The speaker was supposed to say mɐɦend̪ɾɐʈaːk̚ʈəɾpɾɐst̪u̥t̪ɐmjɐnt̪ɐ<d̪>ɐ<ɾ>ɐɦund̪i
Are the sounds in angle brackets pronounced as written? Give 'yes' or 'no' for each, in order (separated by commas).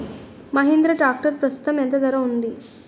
yes, yes